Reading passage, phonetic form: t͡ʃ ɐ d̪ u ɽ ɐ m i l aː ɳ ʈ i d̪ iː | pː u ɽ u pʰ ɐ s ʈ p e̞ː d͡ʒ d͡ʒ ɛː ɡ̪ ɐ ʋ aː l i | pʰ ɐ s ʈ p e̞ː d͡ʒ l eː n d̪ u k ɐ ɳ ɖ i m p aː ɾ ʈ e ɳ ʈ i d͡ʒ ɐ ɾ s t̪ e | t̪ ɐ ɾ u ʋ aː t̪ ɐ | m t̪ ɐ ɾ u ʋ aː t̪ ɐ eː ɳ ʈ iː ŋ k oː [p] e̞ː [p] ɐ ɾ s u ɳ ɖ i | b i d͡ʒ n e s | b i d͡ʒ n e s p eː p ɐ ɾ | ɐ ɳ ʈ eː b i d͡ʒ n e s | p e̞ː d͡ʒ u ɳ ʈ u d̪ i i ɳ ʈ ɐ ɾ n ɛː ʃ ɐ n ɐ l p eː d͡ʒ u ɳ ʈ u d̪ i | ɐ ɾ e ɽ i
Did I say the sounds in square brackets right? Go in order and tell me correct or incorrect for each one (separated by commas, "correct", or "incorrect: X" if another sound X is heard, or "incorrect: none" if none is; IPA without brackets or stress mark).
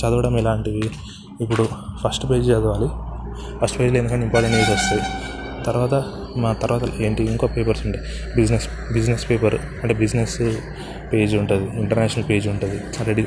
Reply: correct, correct